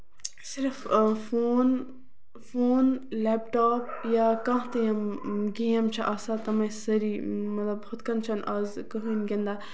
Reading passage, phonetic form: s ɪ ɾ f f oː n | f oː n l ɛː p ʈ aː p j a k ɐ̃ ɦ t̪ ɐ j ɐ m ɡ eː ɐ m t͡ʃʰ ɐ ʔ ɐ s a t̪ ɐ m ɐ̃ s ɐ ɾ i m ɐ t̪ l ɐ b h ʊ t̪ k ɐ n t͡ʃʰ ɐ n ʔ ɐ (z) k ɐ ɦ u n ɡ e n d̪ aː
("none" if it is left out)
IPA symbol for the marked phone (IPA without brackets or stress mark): z